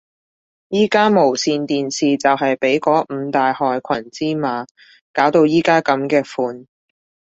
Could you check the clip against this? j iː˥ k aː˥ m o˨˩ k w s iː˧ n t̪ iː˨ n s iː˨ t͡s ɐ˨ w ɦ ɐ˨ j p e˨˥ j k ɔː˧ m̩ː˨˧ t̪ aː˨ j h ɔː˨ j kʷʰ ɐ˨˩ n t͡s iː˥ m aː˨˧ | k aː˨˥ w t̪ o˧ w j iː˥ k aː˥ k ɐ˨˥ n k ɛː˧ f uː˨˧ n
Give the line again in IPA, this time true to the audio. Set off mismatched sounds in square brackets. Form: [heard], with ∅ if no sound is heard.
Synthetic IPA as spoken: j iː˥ k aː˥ m o˨˩ [∅] w s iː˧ n t̪ iː˨ n s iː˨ t͡s ɐ˨ w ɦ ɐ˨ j p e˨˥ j k [ɔː˨˥] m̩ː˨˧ t̪ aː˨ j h ɔː˨ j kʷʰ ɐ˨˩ n t͡s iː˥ m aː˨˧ | k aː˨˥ w t̪ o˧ w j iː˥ k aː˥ k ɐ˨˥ [m] k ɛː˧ f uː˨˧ n